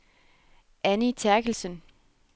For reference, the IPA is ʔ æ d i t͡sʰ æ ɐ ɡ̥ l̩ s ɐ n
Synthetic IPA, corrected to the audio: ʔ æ n i t͡sʰ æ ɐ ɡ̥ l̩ s ə n